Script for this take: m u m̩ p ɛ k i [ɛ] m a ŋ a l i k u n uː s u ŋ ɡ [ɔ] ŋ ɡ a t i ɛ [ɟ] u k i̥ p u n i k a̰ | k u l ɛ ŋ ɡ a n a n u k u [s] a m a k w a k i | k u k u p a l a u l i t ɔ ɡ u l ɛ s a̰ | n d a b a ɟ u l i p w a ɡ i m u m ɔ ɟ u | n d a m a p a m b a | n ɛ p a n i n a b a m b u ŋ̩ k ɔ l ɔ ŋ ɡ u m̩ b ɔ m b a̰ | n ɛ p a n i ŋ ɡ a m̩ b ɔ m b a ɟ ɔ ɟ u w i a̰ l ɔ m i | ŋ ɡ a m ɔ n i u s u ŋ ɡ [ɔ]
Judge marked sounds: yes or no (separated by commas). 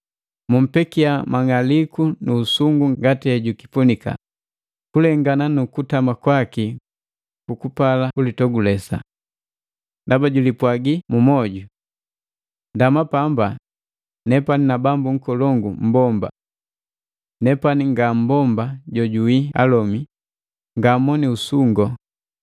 no, no, yes, no, yes